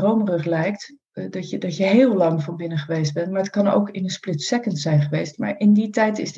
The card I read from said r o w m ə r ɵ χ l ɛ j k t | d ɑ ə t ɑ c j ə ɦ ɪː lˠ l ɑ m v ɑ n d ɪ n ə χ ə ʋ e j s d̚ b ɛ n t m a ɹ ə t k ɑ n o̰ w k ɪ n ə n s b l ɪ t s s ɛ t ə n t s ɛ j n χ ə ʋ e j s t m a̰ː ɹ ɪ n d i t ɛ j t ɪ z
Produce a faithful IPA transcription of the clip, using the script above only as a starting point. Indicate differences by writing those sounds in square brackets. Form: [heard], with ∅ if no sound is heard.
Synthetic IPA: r o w m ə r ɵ χ l ɛ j k t | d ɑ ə [d] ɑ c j ə ɦ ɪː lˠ l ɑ [ŋ] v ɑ n [b] ɪ n ə χ ə ʋ e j s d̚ b ɛ n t m a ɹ ə t k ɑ n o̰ w k ɪ n ə n s [p] l ɪ t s s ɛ [k] ə n t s ɛ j n χ ə ʋ e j s t m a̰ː ɹ ɪ n d i t ɛ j t ɪ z